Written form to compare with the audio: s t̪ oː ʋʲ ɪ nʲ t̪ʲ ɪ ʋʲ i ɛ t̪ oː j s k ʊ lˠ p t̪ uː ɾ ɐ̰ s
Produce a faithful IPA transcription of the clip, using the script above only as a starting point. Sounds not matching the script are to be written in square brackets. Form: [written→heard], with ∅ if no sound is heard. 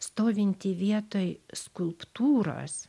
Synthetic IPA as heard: s t̪ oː ʋʲ ɪ nʲ t̪ʲ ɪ ʋʲ i ɛ t̪ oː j s k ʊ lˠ p t̪ uː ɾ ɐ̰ s